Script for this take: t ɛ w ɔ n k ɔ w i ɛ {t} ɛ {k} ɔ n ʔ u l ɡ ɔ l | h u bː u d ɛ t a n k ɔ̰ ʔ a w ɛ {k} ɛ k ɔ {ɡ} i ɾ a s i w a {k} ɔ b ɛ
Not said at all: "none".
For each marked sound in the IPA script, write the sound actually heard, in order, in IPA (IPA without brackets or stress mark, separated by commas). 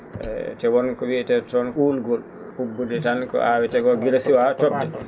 t, t, t, ɡ, t